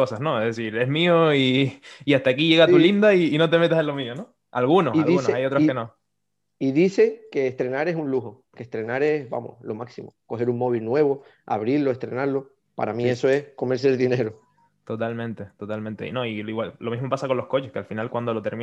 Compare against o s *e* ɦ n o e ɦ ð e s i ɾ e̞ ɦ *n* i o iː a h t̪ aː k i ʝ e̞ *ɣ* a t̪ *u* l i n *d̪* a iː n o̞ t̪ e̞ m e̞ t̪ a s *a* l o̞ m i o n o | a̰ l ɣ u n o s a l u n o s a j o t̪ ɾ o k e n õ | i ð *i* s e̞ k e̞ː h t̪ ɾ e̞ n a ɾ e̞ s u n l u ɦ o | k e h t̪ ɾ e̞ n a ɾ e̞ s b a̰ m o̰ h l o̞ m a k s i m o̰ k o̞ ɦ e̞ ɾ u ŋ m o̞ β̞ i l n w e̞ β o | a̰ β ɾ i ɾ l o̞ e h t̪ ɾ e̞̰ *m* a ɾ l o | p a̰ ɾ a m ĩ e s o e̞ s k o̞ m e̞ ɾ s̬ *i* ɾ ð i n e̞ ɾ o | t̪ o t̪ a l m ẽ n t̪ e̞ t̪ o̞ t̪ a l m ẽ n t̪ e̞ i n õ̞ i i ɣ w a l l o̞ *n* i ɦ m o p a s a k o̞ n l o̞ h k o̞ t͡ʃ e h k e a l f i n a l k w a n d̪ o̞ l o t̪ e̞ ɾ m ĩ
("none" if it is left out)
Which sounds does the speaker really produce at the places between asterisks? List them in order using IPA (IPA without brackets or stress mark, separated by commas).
a, m, ɣ, u, d̪, e, i, n, e, m